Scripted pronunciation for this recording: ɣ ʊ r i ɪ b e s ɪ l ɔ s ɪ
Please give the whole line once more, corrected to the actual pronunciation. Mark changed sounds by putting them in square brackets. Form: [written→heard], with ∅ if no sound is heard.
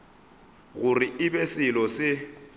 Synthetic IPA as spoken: ɣ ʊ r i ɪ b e s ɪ l ɔ s ɪ